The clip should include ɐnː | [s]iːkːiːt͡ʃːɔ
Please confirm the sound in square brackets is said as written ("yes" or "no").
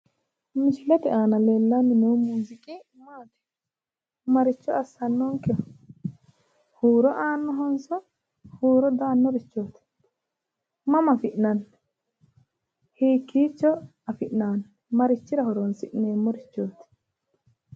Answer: no